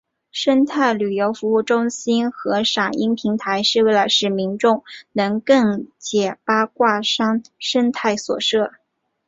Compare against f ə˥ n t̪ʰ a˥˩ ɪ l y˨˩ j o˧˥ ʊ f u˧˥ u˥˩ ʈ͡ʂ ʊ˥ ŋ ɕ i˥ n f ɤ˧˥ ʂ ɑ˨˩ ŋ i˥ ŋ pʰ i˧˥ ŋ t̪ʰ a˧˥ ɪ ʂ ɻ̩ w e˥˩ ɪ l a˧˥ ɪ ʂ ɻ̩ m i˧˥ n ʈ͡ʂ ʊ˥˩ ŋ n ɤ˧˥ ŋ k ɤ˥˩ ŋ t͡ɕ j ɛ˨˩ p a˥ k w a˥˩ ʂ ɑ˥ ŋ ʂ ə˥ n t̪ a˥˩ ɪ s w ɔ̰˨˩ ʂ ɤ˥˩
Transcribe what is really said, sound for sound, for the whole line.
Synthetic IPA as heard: ʂ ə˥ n t̪ʰ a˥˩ ɪ l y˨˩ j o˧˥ ʊ f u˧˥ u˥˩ ʈ͡ʂ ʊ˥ ŋ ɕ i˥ n x ɤ˧˥ ʂ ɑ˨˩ ŋ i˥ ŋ pʰ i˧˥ ŋ t̪ʰ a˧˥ ɪ ʂ ɻ̩ w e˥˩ ɪ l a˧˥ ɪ ʂ ɻ̩ m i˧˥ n ʈ͡ʂ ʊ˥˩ ŋ n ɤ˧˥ ŋ k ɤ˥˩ ŋ t͡ɕ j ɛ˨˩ p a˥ k w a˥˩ ʂ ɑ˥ ŋ ʂ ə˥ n t̪ʰ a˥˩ ɪ s w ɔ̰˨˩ ʂ ɤ˥˩

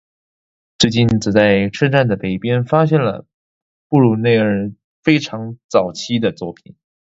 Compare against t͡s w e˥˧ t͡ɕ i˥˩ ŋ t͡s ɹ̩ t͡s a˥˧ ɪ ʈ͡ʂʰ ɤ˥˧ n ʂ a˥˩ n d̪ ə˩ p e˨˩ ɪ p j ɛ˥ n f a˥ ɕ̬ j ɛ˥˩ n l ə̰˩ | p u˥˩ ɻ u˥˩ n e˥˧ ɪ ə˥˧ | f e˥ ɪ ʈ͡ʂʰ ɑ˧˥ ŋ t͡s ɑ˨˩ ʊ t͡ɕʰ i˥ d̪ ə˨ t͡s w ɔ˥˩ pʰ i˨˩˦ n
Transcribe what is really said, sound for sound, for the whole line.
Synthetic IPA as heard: t͡s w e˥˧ t͡ɕ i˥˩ n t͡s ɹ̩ t͡s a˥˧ ɪ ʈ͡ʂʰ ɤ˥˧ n ʈ͡ʂ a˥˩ n d̪ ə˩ p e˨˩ ɪ p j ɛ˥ n f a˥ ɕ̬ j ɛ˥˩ n l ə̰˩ | p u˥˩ ɻ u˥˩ n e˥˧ ɪ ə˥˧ | f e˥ ɪ ʈ͡ʂʰ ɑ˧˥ ŋ t͡s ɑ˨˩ ʊ t͡ɕʰ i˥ d̪ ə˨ t͡s w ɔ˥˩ pʰ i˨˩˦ n

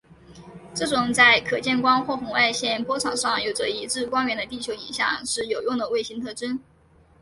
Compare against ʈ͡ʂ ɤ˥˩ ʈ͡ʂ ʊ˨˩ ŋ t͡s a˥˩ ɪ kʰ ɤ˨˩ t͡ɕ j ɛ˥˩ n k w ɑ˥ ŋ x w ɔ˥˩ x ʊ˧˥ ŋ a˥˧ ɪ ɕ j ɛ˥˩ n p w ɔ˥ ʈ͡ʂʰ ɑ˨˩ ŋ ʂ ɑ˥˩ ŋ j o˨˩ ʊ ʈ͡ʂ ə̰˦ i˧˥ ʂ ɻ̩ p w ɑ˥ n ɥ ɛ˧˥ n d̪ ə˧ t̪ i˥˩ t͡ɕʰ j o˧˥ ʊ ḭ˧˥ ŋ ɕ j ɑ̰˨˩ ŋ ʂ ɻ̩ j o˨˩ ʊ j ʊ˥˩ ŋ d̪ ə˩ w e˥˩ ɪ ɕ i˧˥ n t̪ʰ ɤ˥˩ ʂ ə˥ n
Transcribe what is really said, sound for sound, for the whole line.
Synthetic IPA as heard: ʈ͡ʂ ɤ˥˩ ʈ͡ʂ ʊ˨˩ ŋ t͡s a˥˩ ɪ kʰ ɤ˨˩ t͡ɕ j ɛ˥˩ n k w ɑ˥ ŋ x w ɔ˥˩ x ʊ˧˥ ŋ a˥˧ ɪ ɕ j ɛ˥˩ n p w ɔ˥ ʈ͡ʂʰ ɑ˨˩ ŋ ʂ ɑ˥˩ ŋ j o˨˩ ʊ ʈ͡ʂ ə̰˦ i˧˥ ʈ͡ʂ ɻ̩ k w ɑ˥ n ɥ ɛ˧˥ n d̪ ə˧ t̪ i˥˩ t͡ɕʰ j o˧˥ ʊ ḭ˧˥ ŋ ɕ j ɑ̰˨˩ ŋ ʂ ɻ̩ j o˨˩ ʊ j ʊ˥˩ ŋ d̪ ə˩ w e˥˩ ɪ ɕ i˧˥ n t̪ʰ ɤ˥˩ ʈ͡ʂ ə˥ n

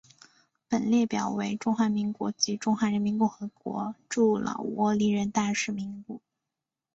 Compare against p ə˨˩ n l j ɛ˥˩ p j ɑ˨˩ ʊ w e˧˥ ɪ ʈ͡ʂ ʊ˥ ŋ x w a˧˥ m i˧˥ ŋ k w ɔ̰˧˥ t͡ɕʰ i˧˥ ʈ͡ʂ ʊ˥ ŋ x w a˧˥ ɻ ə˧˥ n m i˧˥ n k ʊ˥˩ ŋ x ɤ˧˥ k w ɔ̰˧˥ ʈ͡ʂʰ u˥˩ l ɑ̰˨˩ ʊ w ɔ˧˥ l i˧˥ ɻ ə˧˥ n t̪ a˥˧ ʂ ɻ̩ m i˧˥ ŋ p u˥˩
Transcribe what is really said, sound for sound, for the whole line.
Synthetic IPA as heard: p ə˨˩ n l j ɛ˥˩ p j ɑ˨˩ ʊ w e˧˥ ɪ ʈ͡ʂ ʊ˥ ŋ x w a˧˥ m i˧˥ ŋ k w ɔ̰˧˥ t͡ɕ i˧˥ ʈ͡ʂ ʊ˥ ŋ x w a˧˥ ɻ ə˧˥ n m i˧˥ n k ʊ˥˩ ŋ x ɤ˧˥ k w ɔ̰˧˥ ʈ͡ʂ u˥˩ l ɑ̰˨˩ ʊ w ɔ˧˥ l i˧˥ ɻ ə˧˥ n t̪ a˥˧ ʂ ɻ̩ m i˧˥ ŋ p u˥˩

